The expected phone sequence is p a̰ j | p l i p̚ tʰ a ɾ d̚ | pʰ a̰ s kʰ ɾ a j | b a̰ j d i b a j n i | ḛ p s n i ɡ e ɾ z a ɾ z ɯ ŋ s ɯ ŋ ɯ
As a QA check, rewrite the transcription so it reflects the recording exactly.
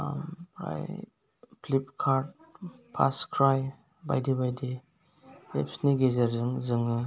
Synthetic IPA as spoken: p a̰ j | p l i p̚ kʰ a ɾ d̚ | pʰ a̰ s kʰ ɾ a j | b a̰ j d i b a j d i | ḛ p s n i ɡ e z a ɾ z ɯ ŋ z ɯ ŋ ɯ